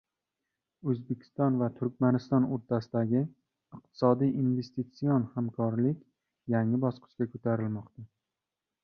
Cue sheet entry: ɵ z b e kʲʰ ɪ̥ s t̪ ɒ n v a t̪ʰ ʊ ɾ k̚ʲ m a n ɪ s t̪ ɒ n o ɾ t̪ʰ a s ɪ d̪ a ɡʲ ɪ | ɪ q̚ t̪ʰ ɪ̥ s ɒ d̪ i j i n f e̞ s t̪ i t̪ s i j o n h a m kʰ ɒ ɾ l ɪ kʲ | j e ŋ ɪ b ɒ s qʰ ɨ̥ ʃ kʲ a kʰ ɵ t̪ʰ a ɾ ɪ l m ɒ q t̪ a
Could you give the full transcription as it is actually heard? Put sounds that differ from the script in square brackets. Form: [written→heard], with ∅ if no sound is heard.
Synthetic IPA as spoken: ɵ z b e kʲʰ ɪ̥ s t̪ ɒ n v a t̪ʰ ʊ ɾ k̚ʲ m a n ɪ s t̪ ɒ n o ɾ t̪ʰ a s ɪ d̪ a ɡʲ ɪ | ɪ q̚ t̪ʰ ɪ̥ s ɒ d̪ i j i n [f→v] e̞ s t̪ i t̪ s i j o n h a m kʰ ɒ ɾ l ɪ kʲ | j [e→a] ŋ ɪ b ɒ s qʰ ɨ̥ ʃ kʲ a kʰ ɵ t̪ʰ a ɾ ɪ l m ɒ q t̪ a